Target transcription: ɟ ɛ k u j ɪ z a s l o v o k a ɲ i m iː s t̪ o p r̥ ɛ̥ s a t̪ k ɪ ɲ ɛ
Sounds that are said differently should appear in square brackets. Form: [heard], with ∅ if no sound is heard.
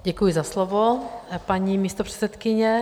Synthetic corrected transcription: ɟ ɛ k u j ɪ z a s l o v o [p] a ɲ i m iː s t̪ o p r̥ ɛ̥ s [ɛ] t̪ k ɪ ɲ ɛ